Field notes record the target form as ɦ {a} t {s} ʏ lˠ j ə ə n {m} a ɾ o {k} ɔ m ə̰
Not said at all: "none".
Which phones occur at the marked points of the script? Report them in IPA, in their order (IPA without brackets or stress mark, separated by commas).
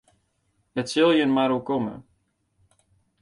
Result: ə, s, m, k